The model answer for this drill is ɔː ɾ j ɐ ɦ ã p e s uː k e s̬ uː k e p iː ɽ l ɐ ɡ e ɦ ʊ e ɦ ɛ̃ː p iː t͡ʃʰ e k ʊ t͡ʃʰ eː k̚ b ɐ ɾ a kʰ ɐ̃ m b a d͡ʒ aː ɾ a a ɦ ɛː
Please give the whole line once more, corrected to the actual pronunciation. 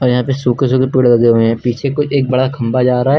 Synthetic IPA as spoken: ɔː ɾ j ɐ ɦ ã p e s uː k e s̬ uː k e p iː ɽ l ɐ ɡ e ɦ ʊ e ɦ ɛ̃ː p iː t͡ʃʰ e k ʊ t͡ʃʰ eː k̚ b ɐ ɽ a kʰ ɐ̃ m b a d͡ʒ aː ɾ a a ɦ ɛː